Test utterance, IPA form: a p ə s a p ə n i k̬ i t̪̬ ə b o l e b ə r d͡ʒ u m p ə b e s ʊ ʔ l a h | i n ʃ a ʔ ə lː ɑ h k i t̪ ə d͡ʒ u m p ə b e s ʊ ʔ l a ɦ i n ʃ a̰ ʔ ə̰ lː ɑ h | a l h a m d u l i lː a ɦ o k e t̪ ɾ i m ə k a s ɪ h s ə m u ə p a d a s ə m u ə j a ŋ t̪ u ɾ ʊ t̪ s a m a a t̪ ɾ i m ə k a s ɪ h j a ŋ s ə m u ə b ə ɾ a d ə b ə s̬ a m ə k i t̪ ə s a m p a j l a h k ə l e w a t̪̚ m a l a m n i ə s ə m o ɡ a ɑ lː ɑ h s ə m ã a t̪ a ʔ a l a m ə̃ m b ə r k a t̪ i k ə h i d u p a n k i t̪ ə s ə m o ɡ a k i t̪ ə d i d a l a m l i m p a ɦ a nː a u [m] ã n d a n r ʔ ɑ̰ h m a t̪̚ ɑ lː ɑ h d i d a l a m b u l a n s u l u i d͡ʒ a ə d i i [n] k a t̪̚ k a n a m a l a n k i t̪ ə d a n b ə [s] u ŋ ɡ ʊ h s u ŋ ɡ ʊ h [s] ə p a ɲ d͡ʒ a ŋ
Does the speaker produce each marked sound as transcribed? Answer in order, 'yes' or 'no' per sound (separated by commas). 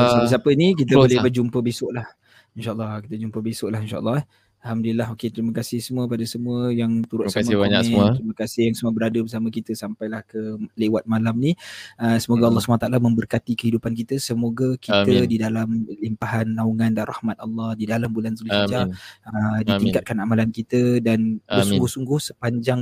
no, no, yes, yes